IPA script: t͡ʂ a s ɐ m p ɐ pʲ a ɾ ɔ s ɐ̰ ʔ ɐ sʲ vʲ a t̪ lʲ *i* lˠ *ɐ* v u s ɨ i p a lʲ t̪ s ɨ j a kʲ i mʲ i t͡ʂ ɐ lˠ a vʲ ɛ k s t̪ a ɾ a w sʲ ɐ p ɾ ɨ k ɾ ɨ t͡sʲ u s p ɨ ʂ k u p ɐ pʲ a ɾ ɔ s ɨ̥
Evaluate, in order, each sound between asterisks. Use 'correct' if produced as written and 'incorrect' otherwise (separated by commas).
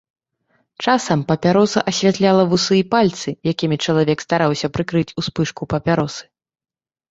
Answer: incorrect, correct